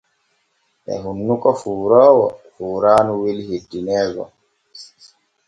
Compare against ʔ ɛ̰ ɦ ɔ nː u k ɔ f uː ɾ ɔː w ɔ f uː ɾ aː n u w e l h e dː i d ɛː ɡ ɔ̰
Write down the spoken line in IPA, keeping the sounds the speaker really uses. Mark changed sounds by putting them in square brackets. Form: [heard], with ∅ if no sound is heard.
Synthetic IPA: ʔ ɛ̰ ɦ [u] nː u k ɔ f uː ɾ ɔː w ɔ f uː ɾ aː n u w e l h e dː i [n] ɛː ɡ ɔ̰